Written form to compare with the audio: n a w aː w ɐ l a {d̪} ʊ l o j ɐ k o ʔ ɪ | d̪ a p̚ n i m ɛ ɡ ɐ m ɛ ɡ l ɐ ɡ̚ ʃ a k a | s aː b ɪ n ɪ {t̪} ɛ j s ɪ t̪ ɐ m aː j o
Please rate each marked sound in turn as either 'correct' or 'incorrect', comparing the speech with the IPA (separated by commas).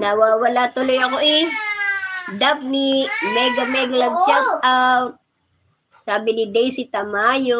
incorrect, incorrect